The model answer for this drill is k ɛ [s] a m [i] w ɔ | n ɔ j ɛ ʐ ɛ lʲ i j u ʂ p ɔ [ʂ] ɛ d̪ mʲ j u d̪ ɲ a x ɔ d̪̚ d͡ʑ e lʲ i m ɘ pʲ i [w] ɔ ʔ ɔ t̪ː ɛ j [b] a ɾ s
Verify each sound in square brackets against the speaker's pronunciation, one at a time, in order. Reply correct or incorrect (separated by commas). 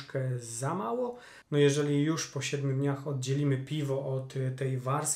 incorrect, incorrect, incorrect, incorrect, incorrect